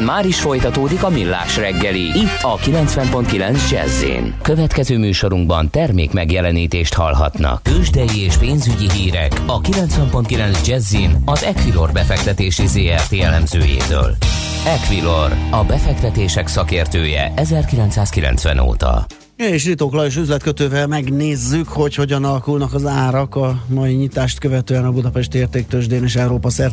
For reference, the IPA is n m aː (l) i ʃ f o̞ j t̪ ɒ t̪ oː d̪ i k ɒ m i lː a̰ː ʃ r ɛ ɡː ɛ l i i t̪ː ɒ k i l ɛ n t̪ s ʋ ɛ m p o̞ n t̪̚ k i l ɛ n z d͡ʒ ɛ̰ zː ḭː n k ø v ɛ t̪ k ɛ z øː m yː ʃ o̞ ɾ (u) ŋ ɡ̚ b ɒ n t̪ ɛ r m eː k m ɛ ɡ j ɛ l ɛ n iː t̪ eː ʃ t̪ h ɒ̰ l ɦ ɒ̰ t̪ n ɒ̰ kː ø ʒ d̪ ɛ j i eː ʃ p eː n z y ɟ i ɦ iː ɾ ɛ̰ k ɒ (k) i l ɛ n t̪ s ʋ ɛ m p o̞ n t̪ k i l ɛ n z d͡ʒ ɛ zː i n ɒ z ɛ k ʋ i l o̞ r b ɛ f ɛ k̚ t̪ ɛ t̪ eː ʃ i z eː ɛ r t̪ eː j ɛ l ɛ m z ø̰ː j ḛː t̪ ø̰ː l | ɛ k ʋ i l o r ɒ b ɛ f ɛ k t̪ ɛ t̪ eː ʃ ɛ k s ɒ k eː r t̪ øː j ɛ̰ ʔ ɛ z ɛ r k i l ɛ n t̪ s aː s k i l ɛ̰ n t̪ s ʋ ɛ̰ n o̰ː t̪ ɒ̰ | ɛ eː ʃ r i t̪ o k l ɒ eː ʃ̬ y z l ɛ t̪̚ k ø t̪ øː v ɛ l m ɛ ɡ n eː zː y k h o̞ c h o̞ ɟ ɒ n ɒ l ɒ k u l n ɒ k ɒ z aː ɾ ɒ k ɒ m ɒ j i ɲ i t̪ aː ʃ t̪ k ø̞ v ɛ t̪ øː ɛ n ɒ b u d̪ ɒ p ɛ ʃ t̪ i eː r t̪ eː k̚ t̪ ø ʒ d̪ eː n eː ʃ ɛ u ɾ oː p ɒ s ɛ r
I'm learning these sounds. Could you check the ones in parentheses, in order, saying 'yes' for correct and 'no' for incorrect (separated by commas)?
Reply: no, yes, yes